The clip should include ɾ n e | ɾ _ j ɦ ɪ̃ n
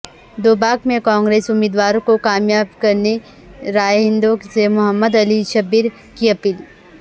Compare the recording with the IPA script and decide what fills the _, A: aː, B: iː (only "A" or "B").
A